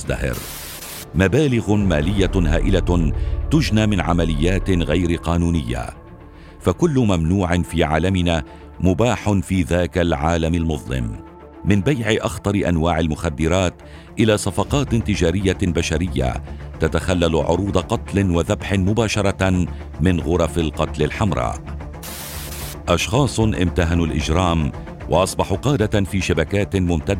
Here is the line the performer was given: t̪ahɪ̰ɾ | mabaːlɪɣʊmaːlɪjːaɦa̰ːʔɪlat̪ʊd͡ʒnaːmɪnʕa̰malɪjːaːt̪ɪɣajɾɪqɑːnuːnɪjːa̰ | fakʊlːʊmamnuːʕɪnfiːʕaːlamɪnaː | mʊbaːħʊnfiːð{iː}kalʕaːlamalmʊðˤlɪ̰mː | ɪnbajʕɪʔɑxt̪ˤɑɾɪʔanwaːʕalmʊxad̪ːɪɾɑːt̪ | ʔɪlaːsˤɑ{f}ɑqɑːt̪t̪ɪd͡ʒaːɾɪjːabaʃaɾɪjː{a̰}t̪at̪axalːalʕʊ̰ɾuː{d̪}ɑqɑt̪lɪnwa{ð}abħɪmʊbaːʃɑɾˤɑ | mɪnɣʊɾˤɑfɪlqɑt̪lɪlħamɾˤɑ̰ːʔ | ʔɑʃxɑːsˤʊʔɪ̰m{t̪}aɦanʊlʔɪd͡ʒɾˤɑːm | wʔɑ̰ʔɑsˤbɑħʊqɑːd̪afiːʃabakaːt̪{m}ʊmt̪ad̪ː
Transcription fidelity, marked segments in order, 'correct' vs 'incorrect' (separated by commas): incorrect, correct, correct, correct, correct, correct, correct